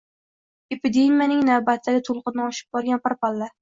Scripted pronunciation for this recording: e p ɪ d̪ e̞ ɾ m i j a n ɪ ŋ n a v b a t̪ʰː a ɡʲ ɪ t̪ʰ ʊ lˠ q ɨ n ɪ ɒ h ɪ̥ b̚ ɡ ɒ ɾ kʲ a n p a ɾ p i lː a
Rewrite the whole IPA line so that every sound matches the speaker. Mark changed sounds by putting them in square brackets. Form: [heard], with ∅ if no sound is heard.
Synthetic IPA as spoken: e p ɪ d̪ e̞ [∅] m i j a n ɪ ŋ n a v b a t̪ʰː a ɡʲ ɪ t̪ʰ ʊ lˠ q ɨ n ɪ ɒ [ʃ] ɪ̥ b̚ [b] ɒ ɾ [ɡʲ] a n p a ɾ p [a] lː a